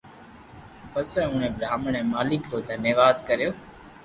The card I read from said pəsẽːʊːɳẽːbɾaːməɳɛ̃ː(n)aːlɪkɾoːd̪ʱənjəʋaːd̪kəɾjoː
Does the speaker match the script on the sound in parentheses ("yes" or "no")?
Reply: no